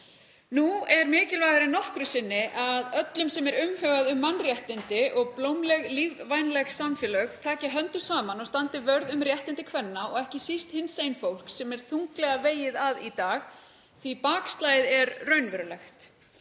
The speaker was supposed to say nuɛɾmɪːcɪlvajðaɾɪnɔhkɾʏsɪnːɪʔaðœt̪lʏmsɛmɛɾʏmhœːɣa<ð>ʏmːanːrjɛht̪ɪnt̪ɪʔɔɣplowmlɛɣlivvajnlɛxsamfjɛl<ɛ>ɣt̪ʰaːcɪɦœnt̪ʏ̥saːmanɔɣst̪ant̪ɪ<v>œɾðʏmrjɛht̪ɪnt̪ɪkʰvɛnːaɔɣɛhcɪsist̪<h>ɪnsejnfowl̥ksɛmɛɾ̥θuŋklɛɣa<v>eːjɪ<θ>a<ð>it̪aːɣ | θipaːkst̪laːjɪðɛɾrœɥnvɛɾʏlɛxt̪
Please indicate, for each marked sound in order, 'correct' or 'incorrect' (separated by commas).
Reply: correct, incorrect, correct, correct, correct, incorrect, correct